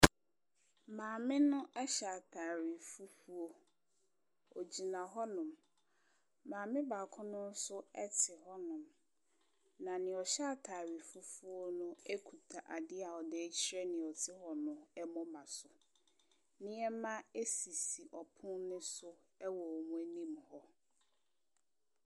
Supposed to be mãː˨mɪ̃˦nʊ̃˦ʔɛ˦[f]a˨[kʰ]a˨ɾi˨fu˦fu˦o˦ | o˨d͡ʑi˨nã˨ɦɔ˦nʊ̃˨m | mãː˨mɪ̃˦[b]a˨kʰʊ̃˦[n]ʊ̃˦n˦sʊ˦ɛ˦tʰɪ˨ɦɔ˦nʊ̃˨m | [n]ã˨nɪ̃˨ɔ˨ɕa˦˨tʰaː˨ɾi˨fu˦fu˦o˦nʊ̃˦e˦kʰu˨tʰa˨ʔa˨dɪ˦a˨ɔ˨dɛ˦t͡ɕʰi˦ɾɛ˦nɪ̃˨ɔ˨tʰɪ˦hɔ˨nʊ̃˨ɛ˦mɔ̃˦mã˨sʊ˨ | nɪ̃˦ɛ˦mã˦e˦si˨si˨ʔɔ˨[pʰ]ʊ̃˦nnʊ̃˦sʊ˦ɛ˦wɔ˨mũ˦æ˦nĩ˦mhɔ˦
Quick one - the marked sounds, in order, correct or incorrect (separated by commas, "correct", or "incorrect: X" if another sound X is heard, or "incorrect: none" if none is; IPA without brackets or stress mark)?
incorrect: ɕ, incorrect: tʰ, correct, correct, correct, correct